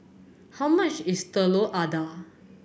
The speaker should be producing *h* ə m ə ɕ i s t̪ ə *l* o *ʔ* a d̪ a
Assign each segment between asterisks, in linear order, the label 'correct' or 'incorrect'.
correct, correct, correct

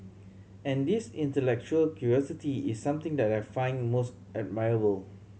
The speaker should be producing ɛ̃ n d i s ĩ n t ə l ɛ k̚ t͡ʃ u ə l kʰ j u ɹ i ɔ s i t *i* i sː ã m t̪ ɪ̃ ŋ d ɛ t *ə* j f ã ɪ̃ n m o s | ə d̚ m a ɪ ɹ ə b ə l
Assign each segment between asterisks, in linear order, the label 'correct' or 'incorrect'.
correct, incorrect: a

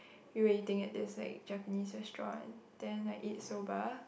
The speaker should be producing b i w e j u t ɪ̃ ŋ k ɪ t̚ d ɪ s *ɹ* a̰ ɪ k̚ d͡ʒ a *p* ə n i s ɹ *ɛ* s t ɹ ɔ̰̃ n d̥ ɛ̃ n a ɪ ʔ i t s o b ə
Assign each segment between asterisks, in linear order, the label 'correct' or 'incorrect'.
incorrect: l, correct, correct

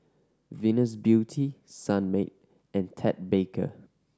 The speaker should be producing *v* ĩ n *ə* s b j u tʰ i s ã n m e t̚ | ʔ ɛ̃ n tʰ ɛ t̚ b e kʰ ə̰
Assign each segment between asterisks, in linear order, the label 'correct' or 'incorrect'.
correct, correct

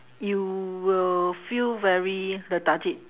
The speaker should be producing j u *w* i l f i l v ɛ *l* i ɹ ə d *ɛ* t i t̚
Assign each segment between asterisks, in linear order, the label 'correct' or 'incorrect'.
correct, incorrect: ɹ, incorrect: a

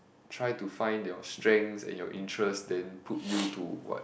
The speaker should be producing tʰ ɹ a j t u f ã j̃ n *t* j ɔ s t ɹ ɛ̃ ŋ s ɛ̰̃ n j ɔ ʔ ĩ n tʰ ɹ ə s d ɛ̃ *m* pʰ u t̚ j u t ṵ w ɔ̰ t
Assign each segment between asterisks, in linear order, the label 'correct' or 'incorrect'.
incorrect: d, incorrect: n

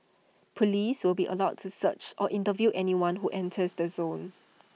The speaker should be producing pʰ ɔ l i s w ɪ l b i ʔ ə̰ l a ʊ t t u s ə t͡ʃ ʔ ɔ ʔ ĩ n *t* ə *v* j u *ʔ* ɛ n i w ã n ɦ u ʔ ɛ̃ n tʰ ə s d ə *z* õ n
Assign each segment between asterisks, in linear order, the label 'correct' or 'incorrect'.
correct, correct, correct, correct

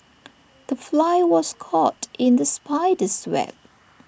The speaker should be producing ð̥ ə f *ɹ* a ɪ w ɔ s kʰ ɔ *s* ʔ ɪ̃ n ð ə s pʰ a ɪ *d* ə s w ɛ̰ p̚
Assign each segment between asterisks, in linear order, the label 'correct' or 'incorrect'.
incorrect: l, incorrect: t, correct

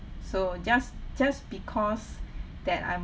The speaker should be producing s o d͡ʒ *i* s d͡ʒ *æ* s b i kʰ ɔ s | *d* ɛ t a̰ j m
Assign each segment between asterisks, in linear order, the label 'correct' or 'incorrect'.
incorrect: a, incorrect: a, correct

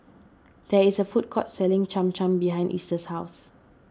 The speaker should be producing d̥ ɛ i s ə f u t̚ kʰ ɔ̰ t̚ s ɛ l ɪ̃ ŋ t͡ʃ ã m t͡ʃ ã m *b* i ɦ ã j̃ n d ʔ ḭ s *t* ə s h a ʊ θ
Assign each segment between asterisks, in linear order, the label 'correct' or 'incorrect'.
correct, correct

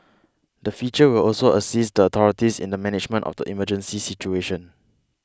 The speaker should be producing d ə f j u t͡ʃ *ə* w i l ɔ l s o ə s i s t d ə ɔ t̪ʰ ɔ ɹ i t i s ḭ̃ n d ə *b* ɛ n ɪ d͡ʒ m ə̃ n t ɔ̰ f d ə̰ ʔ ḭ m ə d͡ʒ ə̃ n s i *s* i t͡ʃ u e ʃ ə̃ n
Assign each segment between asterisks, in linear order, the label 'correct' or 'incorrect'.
correct, incorrect: m, correct

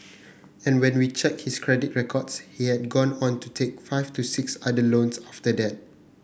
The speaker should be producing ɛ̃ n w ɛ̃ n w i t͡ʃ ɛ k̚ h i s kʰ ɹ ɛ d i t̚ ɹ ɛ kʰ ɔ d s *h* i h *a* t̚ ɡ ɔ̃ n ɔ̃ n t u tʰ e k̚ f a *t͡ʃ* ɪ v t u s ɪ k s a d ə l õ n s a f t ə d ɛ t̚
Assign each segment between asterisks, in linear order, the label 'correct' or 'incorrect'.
correct, incorrect: ɛ, incorrect: none

